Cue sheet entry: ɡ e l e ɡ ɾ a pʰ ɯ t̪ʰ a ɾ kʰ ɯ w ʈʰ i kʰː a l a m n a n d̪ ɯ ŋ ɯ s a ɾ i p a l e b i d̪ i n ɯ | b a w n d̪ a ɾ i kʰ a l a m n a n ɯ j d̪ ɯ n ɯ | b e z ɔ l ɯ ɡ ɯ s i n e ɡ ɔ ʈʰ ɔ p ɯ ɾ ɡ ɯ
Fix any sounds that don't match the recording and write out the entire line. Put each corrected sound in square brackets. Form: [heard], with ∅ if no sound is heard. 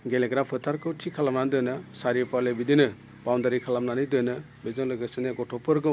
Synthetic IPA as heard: ɡ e l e ɡ ɾ a pʰ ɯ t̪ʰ a ɾ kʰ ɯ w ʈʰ i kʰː a l a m n a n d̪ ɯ [n] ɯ s a ɾ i p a l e b i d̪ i n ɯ | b a w n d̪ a ɾ i kʰ a l a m n a n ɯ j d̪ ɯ n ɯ | b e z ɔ l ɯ ɡ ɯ s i n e ɡ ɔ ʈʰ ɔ p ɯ ɾ ɡ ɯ